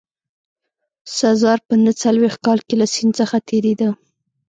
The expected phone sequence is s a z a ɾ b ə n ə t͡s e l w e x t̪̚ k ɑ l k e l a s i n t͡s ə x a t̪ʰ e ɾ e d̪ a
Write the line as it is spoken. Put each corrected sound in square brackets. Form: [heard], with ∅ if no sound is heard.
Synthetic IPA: s a z [ɑ] ɾ [p] ə n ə t͡s [a] l w e x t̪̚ k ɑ l k e l a s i n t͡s ə x a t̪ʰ e ɾ e d̪ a